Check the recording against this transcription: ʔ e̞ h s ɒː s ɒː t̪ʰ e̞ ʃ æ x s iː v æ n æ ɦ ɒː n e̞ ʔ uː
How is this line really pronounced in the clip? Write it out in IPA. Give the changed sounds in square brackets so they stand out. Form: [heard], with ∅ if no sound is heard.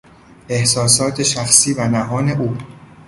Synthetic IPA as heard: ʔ e̞ h s ɒː s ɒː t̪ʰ e̞ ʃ æ x s iː v æ n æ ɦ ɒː n e̞ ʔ uː